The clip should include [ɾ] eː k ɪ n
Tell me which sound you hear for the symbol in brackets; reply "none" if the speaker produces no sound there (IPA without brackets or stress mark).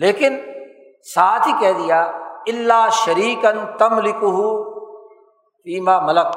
l